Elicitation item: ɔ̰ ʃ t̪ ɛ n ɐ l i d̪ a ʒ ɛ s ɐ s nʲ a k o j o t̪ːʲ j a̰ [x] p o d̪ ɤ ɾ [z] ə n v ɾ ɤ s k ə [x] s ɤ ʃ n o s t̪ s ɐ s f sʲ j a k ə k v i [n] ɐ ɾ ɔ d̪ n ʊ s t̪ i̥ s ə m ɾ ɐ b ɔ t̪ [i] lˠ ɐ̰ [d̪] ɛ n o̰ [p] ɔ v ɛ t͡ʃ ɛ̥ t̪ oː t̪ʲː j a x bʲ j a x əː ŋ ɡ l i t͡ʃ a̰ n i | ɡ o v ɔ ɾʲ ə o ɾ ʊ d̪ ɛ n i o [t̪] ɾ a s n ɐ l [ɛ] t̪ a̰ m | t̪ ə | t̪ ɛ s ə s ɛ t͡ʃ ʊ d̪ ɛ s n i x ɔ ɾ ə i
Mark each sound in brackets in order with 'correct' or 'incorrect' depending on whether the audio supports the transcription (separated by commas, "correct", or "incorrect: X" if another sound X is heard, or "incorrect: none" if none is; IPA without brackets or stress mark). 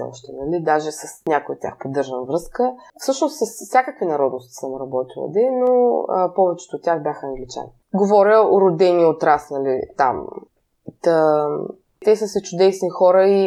correct, incorrect: ʒ, incorrect: f, correct, correct, correct, correct, correct, incorrect: i